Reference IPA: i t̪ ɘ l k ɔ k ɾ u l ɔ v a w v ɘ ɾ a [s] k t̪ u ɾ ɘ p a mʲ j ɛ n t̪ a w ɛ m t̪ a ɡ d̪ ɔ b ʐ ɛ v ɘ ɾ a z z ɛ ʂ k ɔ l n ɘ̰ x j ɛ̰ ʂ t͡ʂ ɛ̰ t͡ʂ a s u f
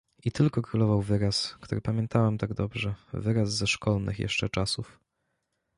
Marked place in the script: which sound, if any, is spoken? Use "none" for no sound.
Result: s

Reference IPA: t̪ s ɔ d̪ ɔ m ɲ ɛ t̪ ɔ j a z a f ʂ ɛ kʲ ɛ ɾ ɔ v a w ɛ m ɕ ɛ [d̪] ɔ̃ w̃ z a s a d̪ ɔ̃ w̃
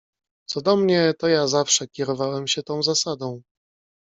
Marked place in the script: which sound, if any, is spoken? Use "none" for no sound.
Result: t̪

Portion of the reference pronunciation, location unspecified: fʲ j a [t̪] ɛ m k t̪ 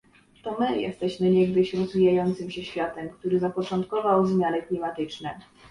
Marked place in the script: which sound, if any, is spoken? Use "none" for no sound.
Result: t̪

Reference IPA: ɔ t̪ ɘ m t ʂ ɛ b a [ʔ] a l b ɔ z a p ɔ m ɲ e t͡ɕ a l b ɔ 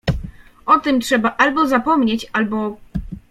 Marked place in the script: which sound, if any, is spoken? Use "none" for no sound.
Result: ʔ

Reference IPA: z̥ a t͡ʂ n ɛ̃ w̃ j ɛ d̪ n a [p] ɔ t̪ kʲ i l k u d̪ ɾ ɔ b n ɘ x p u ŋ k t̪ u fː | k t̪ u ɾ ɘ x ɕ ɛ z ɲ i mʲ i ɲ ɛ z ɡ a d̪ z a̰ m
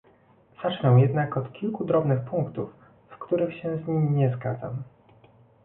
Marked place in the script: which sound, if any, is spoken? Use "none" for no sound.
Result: k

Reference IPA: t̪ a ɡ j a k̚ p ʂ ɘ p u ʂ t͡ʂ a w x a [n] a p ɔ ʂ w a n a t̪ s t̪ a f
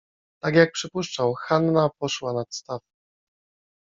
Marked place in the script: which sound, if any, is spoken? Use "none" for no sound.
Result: nː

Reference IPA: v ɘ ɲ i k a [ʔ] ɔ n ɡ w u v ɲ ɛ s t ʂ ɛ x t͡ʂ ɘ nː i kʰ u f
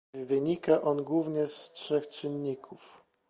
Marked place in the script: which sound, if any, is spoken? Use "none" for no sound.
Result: ʔ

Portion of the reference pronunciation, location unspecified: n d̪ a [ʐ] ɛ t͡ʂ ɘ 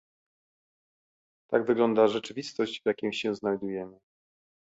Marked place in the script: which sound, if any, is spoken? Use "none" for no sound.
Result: ʐ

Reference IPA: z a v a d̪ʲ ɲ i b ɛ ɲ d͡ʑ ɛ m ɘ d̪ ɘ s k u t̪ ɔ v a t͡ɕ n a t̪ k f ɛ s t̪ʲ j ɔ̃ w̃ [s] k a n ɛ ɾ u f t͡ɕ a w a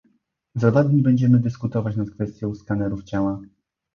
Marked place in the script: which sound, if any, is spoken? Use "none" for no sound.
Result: s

